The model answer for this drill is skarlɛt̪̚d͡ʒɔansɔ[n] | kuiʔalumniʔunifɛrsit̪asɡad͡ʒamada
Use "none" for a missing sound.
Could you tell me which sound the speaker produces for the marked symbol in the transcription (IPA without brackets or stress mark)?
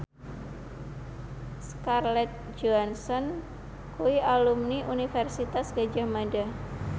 n